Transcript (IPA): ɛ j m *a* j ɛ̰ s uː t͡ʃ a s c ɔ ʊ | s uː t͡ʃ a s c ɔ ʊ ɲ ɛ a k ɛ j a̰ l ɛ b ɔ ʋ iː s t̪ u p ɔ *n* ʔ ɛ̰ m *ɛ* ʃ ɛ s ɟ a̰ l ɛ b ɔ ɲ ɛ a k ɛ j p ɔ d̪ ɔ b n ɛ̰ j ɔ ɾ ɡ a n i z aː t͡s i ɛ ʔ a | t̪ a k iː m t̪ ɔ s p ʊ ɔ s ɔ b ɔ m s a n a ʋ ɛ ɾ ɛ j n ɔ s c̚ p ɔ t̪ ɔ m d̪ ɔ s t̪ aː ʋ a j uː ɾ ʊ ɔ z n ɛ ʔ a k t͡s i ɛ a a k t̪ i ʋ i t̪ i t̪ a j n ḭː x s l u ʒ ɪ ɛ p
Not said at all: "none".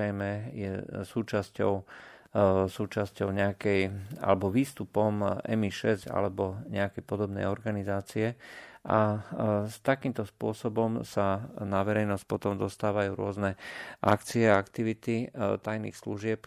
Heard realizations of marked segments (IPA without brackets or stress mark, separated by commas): ɛ, m, i